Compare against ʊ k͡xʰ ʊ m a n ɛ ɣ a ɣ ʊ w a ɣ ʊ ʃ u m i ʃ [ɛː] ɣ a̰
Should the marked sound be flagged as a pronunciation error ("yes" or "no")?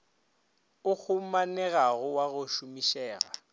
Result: no